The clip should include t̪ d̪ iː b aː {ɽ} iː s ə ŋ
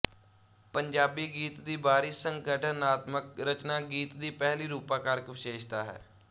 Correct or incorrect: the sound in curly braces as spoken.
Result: incorrect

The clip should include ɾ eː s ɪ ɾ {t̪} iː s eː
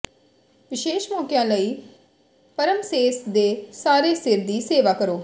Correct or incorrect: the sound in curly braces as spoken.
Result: incorrect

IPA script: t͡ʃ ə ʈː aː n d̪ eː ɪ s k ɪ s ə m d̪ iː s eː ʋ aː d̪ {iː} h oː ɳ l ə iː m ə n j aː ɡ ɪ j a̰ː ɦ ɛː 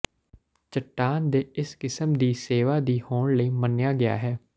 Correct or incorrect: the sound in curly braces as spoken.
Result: correct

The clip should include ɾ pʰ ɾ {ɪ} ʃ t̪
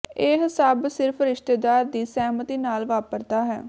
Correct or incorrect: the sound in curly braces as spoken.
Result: correct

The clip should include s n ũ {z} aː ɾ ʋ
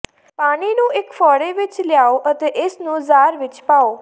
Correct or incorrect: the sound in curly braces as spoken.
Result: correct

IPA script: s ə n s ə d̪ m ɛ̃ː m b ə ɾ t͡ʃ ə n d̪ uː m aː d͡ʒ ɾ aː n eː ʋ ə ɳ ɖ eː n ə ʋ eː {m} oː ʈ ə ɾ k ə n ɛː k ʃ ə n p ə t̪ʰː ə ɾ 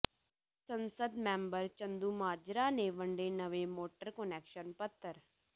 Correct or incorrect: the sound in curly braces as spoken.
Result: correct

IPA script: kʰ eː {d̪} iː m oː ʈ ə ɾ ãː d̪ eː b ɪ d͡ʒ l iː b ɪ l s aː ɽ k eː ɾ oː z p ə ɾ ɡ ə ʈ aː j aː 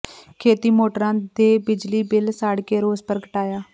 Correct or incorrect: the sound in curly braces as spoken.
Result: incorrect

